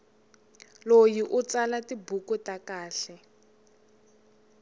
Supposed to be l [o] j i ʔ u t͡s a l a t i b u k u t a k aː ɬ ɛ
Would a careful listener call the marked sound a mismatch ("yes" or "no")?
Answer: no